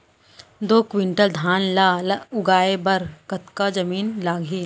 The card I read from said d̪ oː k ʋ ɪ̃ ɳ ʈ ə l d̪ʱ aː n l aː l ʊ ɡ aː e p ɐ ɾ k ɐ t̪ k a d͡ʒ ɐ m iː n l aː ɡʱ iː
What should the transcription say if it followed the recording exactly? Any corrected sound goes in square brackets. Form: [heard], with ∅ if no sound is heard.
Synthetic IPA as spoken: d̪ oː k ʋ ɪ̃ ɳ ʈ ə l d̪ʱ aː n l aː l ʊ ɡ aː e [b] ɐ ɾ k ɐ t̪ k a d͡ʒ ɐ m iː n l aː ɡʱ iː